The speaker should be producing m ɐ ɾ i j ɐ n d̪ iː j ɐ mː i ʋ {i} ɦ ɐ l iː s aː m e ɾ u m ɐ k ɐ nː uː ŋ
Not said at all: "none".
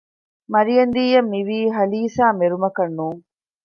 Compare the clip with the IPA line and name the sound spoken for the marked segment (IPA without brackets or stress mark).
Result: iː